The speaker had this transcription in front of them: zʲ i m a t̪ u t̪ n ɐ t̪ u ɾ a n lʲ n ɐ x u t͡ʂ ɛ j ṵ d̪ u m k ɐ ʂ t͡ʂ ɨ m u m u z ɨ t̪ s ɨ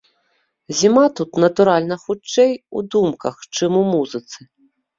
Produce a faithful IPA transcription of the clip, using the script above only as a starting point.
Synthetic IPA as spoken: zʲ i m a t̪ u t̪ n ɐ t̪ u ɾ a lʲ n ɐ x u t͡ʂ ɛ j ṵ d̪ u m k ɐ x t͡ʂ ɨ m u m u z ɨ t̪ s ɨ